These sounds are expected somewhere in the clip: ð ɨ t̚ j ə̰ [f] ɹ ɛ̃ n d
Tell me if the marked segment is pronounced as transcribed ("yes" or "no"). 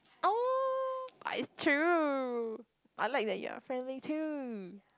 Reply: yes